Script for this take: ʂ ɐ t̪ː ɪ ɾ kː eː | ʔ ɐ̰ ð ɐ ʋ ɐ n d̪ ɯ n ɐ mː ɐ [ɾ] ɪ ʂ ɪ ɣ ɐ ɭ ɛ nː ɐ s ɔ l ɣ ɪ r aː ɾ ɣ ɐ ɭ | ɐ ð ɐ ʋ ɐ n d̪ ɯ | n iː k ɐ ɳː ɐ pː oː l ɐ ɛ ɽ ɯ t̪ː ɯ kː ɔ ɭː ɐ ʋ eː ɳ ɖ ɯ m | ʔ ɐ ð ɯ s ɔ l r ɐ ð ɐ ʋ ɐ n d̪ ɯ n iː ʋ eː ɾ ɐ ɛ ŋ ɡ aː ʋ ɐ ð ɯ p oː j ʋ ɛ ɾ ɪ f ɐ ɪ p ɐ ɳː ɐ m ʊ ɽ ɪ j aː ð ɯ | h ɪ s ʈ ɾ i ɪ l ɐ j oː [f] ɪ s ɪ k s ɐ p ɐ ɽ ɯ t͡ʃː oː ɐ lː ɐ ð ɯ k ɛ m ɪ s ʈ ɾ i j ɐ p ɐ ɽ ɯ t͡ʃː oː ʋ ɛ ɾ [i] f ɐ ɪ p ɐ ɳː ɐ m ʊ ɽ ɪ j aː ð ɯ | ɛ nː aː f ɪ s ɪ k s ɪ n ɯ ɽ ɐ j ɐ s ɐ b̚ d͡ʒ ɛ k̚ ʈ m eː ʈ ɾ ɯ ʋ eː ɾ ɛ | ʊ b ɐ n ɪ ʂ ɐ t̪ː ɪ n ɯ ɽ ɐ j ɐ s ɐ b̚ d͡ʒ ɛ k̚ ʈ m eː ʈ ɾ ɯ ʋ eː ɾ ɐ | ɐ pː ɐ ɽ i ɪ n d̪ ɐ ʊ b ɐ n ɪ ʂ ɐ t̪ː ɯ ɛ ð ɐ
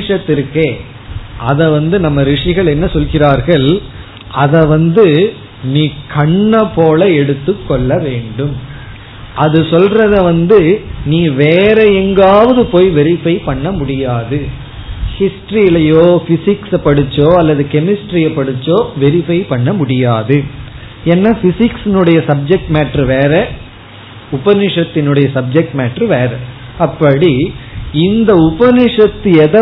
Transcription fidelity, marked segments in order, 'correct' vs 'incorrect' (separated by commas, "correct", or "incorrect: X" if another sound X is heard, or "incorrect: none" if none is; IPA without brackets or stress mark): correct, correct, incorrect: ɪ